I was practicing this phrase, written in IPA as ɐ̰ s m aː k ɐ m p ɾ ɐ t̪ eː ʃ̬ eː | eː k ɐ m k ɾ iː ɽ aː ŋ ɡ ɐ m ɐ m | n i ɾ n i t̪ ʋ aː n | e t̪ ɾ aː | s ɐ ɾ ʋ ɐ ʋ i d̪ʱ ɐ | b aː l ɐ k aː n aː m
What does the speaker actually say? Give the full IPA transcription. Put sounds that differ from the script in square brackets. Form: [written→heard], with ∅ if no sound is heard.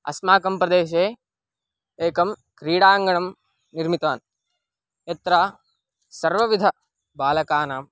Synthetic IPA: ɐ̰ s m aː k ɐ m p ɾ ɐ [t̪→d̪] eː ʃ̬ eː | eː k ɐ m k ɾ iː ɽ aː ŋ ɡ ɐ [m→ɳ] ɐ m | n i ɾ [n→m] i t̪ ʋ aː n | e t̪ ɾ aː | s ɐ ɾ ʋ ɐ ʋ i d̪ʱ ɐ | b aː l ɐ k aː n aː m